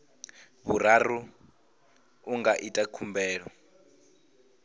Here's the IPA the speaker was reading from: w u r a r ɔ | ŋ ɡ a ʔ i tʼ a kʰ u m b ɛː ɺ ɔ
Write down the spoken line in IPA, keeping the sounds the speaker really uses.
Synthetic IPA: β u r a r u | ŋ ɡ a ʔ i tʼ a kʰ u m b ɛː ɺ ɔ